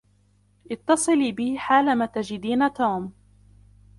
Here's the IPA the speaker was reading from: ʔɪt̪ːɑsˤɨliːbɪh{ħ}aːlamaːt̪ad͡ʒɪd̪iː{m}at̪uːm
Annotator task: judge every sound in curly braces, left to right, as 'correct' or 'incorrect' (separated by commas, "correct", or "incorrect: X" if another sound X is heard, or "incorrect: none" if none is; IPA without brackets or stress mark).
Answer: correct, incorrect: n